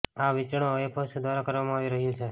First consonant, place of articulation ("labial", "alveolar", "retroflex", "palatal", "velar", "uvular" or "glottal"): labial